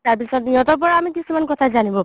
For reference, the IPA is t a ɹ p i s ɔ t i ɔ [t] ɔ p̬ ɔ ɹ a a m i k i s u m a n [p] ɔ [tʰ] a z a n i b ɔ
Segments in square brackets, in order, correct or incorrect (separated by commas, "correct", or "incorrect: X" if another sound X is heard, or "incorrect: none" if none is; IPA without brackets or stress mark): correct, incorrect: k, correct